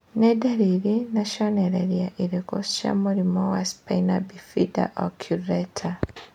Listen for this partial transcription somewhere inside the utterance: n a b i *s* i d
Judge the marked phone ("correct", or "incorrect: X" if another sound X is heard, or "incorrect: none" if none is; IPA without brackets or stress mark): incorrect: f